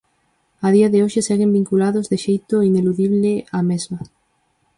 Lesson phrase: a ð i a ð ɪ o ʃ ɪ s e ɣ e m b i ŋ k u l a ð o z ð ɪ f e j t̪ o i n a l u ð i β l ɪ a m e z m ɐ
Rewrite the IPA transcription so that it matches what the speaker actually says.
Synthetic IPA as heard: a ð i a ð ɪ o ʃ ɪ s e ɣ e m b i ŋ k u l a ð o z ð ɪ ʃ e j t̪ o i n e l u ð i β l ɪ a m e z m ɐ